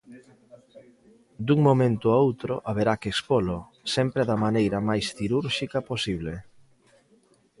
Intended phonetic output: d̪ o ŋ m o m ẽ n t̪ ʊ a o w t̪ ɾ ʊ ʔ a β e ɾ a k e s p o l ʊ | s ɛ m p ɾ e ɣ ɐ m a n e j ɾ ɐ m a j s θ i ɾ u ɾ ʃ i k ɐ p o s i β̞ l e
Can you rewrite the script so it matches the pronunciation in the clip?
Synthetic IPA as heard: d̪ u ŋ m o m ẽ n t̪ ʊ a o w t̪ ɾ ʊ ʔ a β e ɾ a k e s p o l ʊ | s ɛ m p ɾ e ð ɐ m a n e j ɾ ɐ m a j s θ i ɾ u ɾ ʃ i k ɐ p o s i β̞ l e